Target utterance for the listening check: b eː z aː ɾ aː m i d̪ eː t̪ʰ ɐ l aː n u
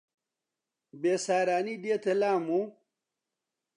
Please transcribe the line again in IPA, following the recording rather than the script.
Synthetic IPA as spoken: b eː s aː ɾ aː n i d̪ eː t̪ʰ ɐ l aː m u